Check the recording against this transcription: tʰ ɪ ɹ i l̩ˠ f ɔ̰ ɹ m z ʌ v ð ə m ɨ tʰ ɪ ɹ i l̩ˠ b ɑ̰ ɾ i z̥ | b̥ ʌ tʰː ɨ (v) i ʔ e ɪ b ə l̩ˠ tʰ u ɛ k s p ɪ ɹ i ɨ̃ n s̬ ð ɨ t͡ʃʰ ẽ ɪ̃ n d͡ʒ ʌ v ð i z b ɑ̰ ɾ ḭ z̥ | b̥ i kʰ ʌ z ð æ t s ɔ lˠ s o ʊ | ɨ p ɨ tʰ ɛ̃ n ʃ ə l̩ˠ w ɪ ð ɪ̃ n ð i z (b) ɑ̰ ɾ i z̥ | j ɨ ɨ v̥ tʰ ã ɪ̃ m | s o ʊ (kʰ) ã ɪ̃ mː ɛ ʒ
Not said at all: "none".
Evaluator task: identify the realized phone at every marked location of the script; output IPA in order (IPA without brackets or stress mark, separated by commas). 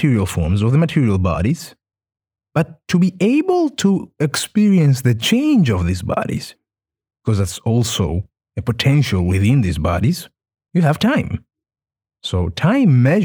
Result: b, b, tʰ